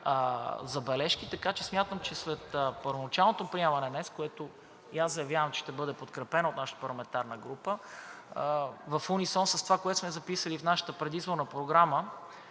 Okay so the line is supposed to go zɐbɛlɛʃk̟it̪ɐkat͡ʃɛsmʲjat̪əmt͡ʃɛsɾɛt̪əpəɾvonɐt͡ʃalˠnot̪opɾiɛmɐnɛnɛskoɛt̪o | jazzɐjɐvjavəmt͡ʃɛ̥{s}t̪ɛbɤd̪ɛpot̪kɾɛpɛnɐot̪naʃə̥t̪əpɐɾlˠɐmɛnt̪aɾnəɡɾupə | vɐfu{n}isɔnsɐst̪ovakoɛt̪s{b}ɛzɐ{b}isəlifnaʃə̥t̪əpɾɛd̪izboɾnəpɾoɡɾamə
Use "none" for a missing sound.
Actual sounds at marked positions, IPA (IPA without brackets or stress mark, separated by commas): ʃ, n, m, p